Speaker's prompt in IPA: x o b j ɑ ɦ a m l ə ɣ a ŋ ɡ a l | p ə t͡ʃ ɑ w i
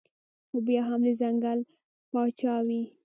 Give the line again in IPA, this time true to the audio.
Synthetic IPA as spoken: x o b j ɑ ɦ a m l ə z a ŋ ɡ a l | p ɑ t͡ʃ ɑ w i